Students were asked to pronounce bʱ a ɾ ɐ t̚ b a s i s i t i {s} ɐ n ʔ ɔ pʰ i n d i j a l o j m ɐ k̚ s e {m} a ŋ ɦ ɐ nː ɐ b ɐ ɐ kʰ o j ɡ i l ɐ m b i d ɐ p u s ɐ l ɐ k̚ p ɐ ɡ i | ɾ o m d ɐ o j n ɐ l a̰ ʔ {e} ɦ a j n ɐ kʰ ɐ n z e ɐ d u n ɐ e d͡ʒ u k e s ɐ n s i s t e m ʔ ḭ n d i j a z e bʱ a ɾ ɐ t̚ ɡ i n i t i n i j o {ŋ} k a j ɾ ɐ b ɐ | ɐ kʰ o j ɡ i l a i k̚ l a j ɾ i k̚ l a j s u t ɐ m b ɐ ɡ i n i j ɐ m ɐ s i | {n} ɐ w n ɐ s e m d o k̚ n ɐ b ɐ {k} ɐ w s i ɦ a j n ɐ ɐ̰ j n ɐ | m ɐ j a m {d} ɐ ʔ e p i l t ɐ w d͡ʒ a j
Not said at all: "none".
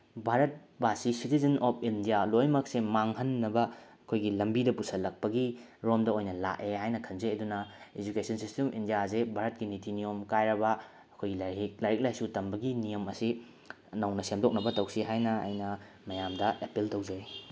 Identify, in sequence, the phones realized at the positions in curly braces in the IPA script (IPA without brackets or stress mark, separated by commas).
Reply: z, m, e, m, n, t, d